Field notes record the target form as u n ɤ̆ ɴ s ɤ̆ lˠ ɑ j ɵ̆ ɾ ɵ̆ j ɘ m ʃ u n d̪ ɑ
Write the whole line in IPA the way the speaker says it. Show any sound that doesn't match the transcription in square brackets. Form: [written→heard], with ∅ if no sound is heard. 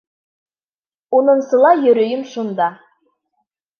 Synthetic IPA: u n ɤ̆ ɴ s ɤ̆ lˠ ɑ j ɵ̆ ɾ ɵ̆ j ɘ m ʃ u n d̪ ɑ